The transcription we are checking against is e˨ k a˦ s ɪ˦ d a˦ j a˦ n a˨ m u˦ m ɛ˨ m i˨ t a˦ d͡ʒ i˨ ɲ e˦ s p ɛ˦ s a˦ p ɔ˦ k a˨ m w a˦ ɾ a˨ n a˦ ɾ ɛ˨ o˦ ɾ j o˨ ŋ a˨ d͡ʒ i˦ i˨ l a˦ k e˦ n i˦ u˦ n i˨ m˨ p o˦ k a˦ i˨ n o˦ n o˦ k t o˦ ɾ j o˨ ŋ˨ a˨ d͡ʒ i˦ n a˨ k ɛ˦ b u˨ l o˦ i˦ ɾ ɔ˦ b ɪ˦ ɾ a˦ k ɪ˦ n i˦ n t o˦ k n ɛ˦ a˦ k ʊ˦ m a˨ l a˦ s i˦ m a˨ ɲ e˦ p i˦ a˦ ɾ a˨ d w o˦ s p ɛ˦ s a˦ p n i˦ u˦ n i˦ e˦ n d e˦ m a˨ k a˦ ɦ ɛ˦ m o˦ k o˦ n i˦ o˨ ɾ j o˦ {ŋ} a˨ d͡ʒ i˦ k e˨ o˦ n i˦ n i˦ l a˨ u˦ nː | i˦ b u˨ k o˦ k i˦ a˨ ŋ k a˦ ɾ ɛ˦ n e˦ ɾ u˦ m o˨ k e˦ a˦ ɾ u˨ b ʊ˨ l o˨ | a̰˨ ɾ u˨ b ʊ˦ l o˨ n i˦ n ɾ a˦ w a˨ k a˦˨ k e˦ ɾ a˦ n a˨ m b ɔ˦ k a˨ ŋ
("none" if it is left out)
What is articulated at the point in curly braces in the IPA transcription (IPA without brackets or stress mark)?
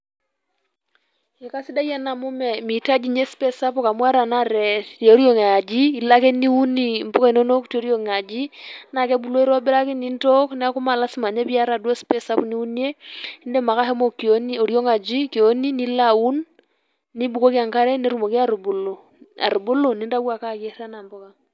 ŋ